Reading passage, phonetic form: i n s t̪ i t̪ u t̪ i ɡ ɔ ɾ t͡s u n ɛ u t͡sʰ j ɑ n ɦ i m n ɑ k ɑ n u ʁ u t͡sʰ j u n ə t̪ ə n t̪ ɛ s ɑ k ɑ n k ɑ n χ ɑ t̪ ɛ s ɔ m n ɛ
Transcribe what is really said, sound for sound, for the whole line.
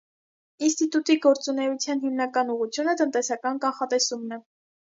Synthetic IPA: i n s t̪ i t̪ u t̪ i ɡ ɔ ɾ t͡s u n ɛ u t͡sʰ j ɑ n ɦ i m n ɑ k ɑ n u ʁ u t͡sʰ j u n ə t̪ ə n t̪ ɛ s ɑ k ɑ n k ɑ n χ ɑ t̪ ɛ s u m n ɛ